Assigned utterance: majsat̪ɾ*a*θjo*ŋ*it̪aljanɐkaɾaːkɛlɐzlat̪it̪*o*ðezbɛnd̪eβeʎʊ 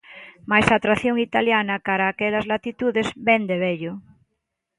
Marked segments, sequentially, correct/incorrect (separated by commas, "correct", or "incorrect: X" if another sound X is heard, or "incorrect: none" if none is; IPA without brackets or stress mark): correct, correct, incorrect: u